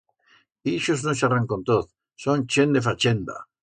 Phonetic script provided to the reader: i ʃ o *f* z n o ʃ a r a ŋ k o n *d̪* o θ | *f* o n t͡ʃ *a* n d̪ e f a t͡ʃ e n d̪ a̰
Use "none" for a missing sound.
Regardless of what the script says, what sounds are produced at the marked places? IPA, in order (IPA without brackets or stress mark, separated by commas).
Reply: none, t̪, s, e